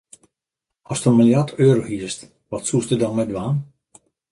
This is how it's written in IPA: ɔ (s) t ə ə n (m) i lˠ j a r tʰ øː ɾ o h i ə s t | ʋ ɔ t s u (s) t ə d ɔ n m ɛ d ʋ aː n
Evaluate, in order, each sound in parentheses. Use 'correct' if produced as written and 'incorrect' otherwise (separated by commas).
correct, correct, correct